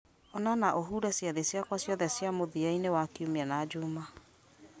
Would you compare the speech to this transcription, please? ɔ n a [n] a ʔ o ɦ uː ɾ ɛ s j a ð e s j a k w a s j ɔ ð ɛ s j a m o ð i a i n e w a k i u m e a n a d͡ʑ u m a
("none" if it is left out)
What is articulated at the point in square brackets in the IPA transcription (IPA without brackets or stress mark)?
n